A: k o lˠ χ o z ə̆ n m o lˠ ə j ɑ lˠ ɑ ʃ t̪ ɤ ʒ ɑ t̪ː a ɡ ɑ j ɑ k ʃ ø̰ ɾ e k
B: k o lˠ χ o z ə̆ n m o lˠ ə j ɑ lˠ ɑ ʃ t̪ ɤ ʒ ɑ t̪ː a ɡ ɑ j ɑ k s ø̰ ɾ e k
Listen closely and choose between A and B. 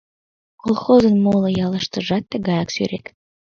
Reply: B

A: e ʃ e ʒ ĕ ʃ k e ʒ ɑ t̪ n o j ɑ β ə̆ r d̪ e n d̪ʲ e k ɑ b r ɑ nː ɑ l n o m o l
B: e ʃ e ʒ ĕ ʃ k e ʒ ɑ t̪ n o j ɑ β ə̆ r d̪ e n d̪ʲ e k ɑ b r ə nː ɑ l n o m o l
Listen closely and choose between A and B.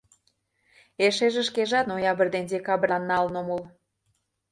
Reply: A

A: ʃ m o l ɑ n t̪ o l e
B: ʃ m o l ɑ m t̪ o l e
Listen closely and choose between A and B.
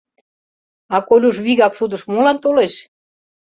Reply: A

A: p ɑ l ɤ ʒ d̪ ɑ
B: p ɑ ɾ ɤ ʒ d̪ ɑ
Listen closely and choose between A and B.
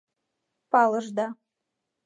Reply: A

